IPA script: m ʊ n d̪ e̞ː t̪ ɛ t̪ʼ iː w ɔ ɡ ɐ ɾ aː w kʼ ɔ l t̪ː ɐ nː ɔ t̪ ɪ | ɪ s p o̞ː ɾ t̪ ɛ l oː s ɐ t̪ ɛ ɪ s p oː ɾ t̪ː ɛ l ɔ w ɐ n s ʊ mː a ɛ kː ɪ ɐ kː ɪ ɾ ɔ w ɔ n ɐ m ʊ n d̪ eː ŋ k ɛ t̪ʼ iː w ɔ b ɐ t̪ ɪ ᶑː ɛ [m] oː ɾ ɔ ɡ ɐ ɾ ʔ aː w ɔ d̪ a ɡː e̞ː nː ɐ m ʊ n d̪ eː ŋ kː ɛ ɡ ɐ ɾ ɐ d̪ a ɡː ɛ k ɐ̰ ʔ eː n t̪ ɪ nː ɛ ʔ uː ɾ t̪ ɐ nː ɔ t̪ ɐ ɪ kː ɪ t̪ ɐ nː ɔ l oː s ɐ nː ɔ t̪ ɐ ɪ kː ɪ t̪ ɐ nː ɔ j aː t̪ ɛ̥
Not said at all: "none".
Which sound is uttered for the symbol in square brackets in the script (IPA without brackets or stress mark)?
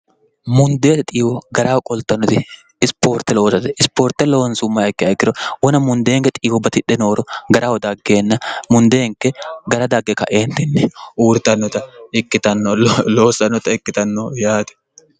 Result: n